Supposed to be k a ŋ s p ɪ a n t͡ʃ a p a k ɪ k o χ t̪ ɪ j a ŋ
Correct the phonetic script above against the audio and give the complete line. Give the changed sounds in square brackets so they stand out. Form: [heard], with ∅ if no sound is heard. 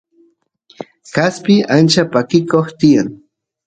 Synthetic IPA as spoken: k a [∅] s p ɪ a n t͡ʃ a p a k ɪ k o χ t̪ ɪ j a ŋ